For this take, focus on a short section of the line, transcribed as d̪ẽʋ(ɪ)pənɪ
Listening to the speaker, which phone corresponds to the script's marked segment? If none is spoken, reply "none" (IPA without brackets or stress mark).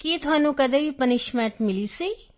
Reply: i